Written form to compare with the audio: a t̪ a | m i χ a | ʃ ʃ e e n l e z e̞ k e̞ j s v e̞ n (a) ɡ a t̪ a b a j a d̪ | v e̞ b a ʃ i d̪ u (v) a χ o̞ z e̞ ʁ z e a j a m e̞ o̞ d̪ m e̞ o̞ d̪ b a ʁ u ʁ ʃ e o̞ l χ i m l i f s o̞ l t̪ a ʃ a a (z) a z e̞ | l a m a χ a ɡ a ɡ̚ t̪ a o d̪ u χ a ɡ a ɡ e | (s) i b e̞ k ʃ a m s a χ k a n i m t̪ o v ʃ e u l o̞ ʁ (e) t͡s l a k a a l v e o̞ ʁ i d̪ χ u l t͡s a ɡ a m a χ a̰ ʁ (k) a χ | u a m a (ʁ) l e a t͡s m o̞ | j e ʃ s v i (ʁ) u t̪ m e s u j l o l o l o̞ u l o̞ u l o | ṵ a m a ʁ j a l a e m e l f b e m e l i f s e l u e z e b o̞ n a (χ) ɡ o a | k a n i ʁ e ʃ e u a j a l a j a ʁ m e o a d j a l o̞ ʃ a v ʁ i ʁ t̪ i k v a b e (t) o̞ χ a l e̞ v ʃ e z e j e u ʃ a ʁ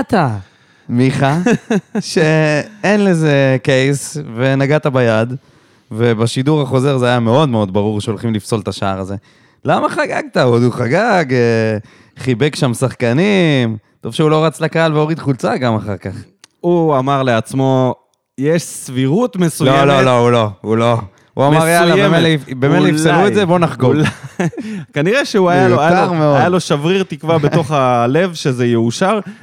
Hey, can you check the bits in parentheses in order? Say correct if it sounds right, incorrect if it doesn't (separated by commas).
correct, incorrect, incorrect, incorrect, incorrect, correct, correct, correct, correct, correct